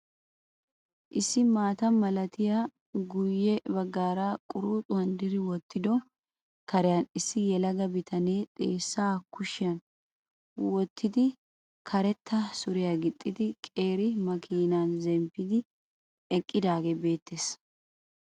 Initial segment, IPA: ʔ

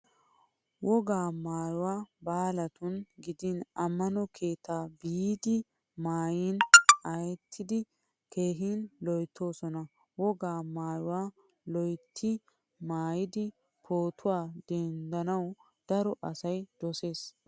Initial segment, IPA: w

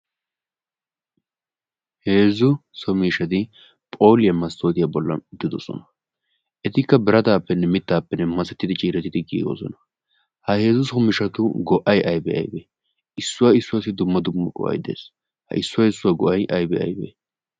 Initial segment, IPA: h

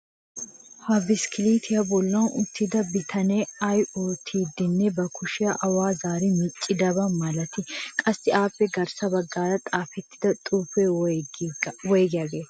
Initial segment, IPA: h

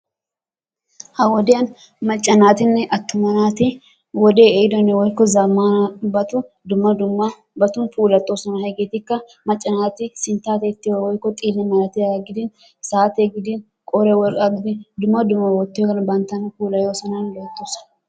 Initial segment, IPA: h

